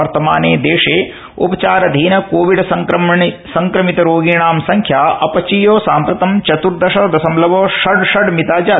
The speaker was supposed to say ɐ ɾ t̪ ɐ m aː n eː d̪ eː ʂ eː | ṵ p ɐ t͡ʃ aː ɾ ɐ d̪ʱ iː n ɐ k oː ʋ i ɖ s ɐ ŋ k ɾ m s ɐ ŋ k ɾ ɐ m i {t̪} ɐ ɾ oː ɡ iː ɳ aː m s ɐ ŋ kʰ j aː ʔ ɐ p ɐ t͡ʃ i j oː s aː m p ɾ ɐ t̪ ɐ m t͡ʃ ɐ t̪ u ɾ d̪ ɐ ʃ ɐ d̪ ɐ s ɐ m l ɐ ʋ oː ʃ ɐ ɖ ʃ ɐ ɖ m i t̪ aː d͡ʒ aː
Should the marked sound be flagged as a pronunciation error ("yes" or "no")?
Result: no